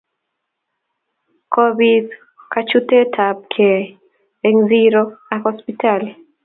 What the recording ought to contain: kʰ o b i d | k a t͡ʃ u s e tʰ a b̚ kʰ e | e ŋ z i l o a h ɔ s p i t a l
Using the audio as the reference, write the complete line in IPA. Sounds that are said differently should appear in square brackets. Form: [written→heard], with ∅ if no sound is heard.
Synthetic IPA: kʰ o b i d | k a t͡ʃ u [s→t] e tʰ a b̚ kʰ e | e ŋ z i [l→ɾ] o a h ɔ s p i t a l